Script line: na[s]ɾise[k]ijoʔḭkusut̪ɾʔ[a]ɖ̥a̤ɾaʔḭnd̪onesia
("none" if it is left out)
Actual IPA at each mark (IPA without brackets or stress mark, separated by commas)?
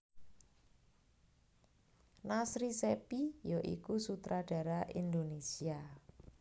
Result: s, p, a